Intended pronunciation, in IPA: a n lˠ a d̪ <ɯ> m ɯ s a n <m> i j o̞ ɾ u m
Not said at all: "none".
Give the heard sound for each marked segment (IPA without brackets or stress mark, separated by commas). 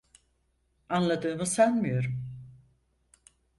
ɯː, m